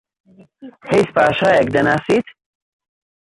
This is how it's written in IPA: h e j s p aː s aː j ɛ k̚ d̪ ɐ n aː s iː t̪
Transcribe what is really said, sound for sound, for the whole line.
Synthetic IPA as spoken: h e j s p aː ʃ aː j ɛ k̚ d̪ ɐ n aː s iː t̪